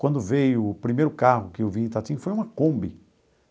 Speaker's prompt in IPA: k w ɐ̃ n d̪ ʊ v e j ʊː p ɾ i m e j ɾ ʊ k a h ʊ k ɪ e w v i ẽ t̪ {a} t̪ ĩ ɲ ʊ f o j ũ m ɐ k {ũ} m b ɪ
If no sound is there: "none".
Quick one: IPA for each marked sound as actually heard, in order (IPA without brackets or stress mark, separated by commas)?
a, õ